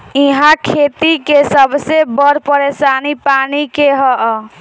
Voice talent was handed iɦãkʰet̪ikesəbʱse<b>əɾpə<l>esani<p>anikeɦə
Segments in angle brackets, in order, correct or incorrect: correct, incorrect: ɾ, correct

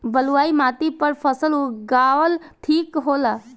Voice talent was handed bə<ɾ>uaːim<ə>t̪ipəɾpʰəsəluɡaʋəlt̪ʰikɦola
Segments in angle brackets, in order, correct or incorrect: incorrect: l, incorrect: a

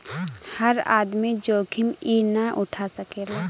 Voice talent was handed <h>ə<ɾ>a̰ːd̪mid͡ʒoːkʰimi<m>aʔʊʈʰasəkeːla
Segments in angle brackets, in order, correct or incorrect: correct, correct, incorrect: n

